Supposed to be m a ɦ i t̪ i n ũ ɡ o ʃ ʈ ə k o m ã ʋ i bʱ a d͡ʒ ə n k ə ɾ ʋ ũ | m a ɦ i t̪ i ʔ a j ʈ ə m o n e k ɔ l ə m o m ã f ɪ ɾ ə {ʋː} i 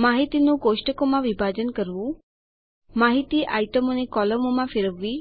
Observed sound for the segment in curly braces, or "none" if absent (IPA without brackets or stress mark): ʋː